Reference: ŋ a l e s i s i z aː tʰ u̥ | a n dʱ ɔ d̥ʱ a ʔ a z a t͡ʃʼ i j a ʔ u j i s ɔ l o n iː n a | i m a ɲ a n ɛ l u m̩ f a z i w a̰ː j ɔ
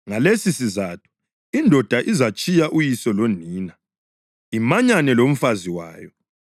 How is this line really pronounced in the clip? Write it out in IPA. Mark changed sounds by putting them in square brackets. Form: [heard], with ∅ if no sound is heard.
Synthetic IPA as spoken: ŋ a l e s i s i z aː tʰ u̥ | [i] n dʱ ɔ d̥ʱ a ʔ [i] z a t͡ʃʼ i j a ʔ u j i s ɔ l o n iː n a | i m a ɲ a n ɛ l [o] m̩ f a z i w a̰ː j ɔ